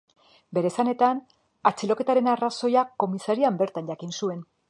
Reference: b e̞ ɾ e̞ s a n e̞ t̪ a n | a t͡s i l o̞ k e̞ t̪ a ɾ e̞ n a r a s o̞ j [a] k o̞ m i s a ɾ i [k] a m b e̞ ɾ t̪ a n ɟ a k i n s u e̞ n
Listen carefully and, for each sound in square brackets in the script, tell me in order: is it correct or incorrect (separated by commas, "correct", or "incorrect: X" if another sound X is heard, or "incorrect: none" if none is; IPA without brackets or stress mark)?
correct, incorrect: none